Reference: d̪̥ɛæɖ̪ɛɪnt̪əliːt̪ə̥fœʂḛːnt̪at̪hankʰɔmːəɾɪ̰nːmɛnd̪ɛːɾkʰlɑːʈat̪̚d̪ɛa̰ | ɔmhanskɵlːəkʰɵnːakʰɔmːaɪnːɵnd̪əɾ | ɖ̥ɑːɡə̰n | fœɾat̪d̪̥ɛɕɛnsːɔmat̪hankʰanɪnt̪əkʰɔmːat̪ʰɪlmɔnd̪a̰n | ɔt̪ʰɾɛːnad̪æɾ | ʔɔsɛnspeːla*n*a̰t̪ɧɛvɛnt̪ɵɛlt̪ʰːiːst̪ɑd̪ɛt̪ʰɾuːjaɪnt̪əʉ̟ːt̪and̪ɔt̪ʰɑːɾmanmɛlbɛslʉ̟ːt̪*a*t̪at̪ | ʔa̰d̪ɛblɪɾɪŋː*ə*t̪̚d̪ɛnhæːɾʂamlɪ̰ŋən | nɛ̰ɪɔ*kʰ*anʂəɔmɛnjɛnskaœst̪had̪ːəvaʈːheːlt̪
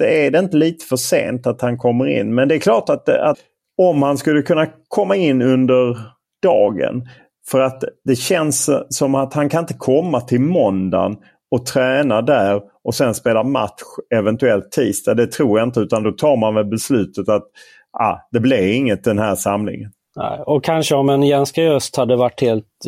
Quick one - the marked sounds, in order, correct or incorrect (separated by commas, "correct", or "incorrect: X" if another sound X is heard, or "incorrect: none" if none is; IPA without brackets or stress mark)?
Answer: incorrect: m, incorrect: ə, correct, correct